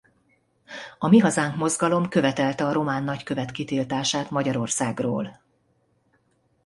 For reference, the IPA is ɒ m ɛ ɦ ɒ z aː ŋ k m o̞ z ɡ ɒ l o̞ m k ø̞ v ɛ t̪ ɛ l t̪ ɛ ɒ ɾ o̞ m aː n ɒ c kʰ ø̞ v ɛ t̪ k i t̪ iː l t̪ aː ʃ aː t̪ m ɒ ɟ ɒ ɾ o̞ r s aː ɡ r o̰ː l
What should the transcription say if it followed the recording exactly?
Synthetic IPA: ɒ m i ɦ ɒ z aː ŋ k m o̞ z ɡ ɒ l o̞ m k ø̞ v ɛ t̪ ɛ l t̪ ɛ ɒ ɾ o̞ m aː nː ɒ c k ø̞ v ɛ t̪ k i t̪ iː l t̪ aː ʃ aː t̪ m ɒ ɟ ɒ ɾ o̞ r s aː ɡ r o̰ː l